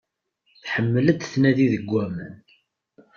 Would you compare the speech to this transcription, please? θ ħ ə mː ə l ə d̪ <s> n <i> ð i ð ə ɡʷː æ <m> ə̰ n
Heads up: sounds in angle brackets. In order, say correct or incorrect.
incorrect: θ, incorrect: æ, correct

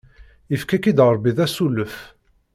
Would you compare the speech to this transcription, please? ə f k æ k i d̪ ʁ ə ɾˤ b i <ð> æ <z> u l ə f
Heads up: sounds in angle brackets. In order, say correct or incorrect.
correct, incorrect: s

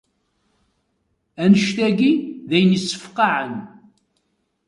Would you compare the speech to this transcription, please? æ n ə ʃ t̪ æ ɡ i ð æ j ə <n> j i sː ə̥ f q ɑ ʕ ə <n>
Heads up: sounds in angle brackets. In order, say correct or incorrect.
correct, correct

